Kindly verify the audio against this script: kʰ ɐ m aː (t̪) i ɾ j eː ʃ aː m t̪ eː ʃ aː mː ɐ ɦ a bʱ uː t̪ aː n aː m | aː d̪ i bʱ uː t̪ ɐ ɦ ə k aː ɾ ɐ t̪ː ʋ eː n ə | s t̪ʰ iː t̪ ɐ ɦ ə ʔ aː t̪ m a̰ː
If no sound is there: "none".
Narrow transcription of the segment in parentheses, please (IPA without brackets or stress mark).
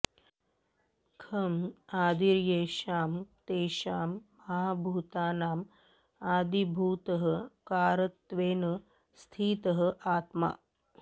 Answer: d̪